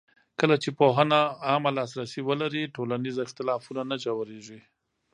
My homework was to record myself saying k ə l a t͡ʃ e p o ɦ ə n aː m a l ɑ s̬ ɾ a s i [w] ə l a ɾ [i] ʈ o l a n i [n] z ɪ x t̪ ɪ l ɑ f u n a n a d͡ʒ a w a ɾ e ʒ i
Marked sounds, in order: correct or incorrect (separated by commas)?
correct, correct, incorrect